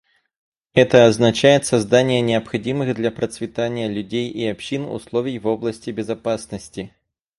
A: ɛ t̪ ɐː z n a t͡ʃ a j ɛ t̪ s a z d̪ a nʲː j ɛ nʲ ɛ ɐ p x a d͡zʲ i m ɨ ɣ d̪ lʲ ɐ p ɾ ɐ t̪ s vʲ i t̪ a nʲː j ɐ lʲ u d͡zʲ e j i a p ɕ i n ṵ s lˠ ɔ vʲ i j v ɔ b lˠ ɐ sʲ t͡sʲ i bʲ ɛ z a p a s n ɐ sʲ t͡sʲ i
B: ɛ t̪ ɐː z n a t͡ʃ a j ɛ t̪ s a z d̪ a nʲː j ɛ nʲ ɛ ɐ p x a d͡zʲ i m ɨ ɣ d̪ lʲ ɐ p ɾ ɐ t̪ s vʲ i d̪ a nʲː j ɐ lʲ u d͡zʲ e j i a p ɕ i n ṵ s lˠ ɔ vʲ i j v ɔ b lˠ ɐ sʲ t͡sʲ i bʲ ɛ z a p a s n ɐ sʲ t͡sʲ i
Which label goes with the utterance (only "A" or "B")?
A